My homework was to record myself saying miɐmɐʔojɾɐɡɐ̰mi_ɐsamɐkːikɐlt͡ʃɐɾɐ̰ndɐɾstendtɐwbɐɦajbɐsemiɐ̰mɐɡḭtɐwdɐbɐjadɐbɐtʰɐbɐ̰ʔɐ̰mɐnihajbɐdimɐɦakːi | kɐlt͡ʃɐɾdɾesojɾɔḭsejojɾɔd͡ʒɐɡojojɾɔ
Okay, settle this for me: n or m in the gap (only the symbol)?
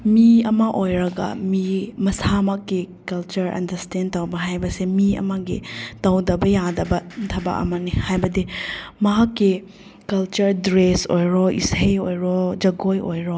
m